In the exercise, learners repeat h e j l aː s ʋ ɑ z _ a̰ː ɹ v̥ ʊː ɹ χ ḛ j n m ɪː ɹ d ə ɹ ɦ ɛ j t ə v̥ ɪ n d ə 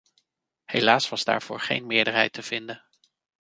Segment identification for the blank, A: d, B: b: A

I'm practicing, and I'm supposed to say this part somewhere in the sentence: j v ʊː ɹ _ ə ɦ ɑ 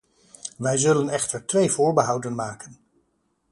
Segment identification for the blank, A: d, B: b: B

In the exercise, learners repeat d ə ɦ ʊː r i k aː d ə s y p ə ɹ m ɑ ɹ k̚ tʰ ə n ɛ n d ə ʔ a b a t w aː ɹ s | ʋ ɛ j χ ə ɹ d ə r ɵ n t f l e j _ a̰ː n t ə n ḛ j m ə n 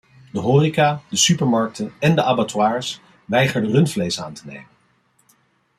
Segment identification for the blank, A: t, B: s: B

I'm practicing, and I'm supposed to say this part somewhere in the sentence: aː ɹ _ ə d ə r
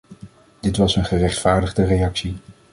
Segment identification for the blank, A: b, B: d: B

